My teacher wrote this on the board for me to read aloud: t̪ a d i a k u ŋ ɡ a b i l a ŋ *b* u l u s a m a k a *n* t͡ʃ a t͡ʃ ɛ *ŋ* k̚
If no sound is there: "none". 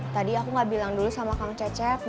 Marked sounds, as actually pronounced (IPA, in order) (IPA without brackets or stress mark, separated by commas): d, ŋ, none